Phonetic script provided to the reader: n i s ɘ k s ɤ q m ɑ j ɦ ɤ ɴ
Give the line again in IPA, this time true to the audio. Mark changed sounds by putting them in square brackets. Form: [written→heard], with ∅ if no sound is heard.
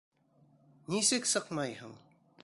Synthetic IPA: n i s ɘ k s ɤ q m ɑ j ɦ ɤ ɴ